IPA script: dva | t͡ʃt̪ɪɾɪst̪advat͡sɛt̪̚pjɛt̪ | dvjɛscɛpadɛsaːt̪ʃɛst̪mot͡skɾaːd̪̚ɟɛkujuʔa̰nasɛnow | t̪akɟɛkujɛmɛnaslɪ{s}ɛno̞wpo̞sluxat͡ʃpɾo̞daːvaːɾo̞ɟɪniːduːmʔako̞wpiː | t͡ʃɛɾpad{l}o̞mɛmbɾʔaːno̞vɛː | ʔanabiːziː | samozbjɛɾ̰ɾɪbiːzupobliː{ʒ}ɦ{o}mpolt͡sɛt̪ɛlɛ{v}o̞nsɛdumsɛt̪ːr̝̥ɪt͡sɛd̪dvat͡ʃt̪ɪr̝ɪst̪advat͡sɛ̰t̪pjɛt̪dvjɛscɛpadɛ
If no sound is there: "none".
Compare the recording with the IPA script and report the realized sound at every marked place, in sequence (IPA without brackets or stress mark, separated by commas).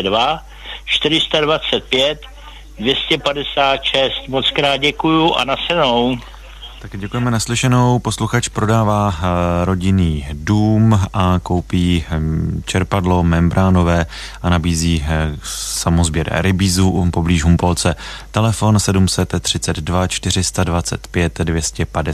ʃ, l, ʒ, u, f